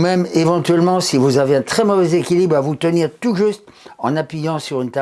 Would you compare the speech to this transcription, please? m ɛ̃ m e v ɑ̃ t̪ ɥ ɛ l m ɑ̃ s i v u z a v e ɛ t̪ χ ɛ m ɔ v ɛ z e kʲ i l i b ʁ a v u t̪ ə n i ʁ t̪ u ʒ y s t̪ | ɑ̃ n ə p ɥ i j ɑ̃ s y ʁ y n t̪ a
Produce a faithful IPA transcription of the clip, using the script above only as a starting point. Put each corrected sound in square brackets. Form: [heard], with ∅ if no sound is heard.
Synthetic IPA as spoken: m [ɛ] m e v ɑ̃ t̪ ɥ ɛ l m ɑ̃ s i v u z a v e [ɛ̃] t̪ χ ɛ m ɔ v ɛ z e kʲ i l i b ʁ a v u t̪ ə n i ʁ t̪ u ʒ y s t̪ | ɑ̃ n [a] p ɥ i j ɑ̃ s y ʁ y n t̪ a